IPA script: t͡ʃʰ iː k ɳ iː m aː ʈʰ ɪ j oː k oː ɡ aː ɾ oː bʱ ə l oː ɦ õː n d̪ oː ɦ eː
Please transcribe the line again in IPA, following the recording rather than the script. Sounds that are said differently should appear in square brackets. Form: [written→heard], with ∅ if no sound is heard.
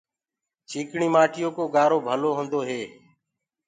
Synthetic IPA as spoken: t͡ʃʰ iː k ɳ iː m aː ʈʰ ɪ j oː k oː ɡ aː ɾ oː bʱ ə l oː ɦ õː n d̪ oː ɦ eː